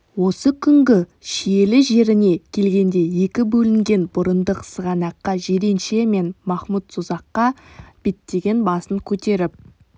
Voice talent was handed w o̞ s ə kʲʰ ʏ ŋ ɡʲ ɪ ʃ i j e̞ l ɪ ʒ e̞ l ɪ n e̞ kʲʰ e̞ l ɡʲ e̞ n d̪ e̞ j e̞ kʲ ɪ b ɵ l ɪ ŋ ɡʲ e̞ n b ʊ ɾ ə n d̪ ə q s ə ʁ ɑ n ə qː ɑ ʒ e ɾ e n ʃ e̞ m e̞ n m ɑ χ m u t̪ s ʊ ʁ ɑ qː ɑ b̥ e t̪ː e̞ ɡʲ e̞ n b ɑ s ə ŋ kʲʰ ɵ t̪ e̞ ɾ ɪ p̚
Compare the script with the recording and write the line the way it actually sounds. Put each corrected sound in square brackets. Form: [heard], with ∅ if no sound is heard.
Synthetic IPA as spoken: w o̞ s ə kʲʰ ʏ ŋ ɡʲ ɪ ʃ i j e̞ l ɪ ʒ e̞ [ɾ] ɪ n e̞ kʲʰ e̞ l ɡʲ e̞ n d̪ e̞ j e̞ kʲ ɪ b ɵ l ɪ ŋ ɡʲ e̞ n b ʊ ɾ ə n d̪ ə q s ə ʁ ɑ n [ɑ] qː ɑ ʒ e ɾ e n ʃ e̞ m e̞ n m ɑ χ m u t̪ s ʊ [z] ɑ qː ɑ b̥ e t̪ː e̞ ɡʲ e̞ n b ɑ s ə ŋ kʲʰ ɵ t̪ e̞ ɾ ɪ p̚